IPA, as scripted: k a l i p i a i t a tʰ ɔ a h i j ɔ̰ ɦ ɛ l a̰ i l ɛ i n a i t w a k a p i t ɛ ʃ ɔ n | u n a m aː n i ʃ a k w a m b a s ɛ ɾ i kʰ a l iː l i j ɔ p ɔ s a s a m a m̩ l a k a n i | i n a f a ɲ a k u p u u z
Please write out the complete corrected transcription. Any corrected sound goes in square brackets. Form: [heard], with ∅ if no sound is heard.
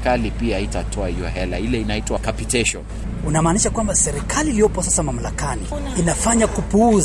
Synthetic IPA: k a l i p i a i t a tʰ ɔ a h i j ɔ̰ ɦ ɛ l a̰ i l ɛ i n a i t w a k a p i t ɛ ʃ ɔ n | u n a m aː n i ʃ a k w a m b a s ɛ ɾ i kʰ a l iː l i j ɔ p ɔ s a s a m a m̩ l a k a n i | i n a f a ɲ a k u p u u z